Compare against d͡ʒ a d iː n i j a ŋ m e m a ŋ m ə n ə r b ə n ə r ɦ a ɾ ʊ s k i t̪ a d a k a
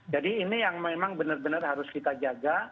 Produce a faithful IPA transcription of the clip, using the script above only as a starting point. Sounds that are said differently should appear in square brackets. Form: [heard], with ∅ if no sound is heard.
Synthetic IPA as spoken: d͡ʒ a d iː n i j a ŋ m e m a ŋ [b] ə n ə r b ə n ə r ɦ a ɾ ʊ s k i t̪ a [d͡ʒ] a [ɡ] a

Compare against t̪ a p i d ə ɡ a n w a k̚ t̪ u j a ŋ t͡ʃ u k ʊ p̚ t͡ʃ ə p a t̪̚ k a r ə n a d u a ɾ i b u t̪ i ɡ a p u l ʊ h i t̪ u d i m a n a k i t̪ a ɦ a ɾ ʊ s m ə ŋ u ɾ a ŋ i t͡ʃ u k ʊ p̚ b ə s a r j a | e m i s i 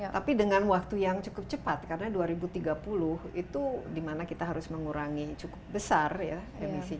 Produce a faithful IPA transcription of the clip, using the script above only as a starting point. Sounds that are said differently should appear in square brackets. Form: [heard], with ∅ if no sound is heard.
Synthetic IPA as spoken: t̪ a p i d ə [ŋ] a n w a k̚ t̪ u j a ŋ t͡ʃ u k ʊ p̚ t͡ʃ ə p a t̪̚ k a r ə n a d u a ɾ i b u t̪ i ɡ a p u l ʊ h i t̪ u d i m a n a k i t̪ a ɦ a ɾ ʊ s m ə ŋ u ɾ a ŋ i t͡ʃ u k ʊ p̚ b ə s a r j a | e m i s i

